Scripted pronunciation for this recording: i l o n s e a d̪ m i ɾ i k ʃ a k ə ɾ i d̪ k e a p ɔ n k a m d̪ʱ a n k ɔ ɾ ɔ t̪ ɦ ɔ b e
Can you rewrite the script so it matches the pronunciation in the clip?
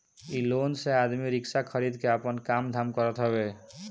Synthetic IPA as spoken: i l o n s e a d̪ m i ɾ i k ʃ a kʰ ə ɾ i d̪ k e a p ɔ n k a m d̪ʱ a m k ɔ ɾ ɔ t̪ ɦ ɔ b e